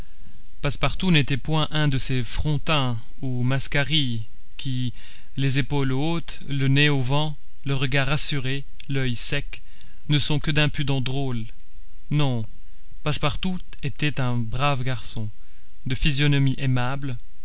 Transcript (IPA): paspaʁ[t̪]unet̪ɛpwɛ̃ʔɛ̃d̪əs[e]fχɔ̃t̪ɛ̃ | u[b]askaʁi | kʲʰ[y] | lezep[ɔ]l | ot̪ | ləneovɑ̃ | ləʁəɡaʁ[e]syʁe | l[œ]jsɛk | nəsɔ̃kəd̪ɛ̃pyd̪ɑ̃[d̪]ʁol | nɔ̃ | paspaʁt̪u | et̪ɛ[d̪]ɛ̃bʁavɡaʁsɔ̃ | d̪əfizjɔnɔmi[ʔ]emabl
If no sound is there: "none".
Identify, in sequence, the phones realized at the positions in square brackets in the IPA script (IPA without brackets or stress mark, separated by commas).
t̪, e, m, i, o, a, œ, d̪, t̪, ʔ